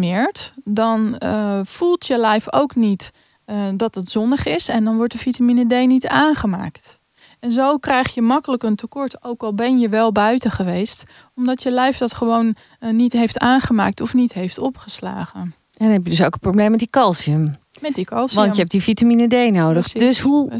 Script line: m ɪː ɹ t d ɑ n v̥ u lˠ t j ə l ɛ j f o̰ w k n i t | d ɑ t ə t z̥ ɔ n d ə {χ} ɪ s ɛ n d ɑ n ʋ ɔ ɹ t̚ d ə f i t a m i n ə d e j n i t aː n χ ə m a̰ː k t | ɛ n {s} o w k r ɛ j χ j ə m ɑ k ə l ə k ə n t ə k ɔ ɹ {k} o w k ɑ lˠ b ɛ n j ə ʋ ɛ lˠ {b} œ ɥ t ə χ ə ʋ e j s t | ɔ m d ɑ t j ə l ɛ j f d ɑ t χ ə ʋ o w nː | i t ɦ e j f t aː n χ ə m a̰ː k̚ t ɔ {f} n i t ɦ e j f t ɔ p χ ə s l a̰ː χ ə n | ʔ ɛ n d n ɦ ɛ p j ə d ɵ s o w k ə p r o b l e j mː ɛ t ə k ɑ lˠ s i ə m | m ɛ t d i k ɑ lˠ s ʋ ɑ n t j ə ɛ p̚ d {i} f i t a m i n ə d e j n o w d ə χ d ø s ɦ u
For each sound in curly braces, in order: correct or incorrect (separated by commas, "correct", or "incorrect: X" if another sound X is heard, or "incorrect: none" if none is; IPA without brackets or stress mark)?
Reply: correct, incorrect: z, incorrect: t, correct, correct, correct